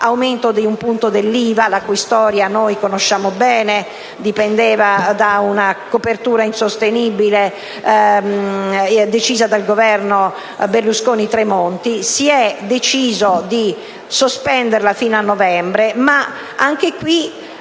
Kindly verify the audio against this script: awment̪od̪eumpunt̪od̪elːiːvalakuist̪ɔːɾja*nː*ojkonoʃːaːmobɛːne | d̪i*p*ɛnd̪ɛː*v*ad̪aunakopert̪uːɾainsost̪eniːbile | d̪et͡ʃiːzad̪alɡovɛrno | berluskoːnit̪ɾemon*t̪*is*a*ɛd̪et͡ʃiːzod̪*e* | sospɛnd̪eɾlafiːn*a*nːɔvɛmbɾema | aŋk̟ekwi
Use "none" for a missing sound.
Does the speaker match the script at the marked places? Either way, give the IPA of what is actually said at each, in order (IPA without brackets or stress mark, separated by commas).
n, p, v, t̪, i, i, a